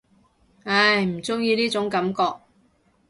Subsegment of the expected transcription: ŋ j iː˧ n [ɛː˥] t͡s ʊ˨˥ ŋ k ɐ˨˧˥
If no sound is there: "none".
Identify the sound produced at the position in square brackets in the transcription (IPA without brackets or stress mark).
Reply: iː˥